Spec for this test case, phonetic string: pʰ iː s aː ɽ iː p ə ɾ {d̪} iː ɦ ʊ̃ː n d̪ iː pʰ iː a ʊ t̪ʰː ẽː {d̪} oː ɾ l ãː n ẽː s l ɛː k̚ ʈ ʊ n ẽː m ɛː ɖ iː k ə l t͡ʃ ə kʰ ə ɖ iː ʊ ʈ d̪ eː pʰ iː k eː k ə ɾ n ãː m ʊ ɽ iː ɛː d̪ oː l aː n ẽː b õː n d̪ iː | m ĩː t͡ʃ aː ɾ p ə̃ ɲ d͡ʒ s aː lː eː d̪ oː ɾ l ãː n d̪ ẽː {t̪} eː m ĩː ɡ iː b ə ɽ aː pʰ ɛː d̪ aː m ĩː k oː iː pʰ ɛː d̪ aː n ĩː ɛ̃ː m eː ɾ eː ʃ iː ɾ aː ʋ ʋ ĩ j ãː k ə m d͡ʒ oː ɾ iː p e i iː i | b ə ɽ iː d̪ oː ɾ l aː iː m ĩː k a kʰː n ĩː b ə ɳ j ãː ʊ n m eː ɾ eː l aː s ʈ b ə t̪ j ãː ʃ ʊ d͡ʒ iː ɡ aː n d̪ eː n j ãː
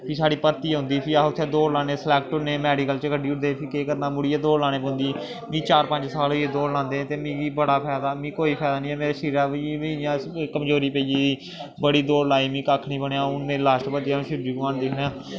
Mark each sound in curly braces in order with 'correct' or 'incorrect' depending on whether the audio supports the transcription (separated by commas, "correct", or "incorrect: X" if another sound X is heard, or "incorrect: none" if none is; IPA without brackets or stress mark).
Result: incorrect: t̪, correct, correct